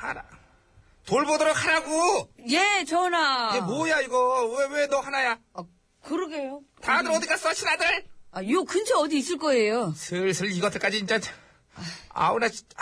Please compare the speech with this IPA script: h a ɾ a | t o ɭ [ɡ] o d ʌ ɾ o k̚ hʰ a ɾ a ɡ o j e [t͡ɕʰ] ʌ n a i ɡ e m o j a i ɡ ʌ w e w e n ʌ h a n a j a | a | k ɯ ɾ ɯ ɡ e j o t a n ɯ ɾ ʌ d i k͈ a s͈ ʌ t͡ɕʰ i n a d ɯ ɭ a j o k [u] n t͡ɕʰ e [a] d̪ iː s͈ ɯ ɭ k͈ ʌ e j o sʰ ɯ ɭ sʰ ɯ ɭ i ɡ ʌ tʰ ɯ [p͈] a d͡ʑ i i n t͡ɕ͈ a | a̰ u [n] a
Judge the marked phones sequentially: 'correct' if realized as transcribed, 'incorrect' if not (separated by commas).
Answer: incorrect, incorrect, incorrect, incorrect, incorrect, correct